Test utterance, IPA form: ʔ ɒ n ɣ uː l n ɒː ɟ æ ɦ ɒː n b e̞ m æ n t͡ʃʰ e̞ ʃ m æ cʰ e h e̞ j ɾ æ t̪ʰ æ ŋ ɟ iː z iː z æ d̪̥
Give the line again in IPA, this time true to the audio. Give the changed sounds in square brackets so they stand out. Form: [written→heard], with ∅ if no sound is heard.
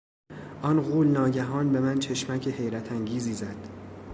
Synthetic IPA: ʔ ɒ n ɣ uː l n ɒː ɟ æ ɦ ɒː n b e̞ m æ n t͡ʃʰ e̞ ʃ m æ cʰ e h e̞ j ɾ æ t̪ʰ æ ŋ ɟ iː z iː z æ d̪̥